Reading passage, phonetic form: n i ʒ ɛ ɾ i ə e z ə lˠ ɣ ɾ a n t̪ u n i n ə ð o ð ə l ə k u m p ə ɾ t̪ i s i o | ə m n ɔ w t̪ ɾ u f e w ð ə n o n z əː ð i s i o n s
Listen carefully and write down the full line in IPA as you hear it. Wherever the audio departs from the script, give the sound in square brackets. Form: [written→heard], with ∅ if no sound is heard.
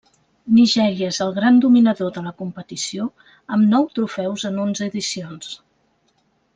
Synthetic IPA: n i ʒ ɛ ɾ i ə e z ə lˠ ɣ ɾ a n [t̪→d̪] u [n→m] i n ə ð o ð ə l ə k u m p ə [ɾ→∅] t̪ i s i o | ə m n ɔ w t̪ ɾ u f [e→ɛ] w [ð→z] ə n o n z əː ð i s i o n s